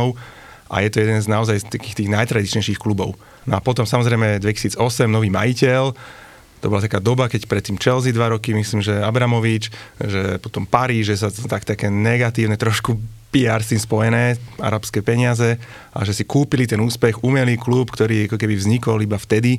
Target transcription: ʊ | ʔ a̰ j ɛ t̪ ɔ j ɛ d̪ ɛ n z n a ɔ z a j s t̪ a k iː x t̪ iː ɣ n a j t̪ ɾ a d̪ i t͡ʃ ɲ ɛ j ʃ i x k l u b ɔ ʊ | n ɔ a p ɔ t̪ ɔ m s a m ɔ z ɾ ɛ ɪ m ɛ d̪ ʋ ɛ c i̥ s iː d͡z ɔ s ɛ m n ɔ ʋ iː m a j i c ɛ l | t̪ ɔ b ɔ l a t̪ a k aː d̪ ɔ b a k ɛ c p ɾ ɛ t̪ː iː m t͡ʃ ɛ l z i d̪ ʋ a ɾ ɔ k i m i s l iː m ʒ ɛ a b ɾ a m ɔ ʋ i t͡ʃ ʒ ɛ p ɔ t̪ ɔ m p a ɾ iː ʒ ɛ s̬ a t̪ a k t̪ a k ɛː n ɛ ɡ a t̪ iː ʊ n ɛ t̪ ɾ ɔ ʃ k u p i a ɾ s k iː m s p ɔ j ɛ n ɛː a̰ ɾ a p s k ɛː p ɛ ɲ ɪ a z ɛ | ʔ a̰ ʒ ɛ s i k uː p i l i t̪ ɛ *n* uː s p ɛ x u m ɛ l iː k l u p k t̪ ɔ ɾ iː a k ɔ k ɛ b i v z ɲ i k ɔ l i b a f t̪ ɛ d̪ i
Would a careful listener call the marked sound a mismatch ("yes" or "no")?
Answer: no